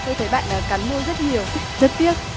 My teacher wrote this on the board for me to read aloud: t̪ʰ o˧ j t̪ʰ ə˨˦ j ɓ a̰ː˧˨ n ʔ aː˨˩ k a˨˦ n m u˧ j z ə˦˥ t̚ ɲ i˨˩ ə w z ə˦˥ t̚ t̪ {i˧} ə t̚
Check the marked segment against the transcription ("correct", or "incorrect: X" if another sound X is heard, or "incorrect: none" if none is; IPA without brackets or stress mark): incorrect: i˦˥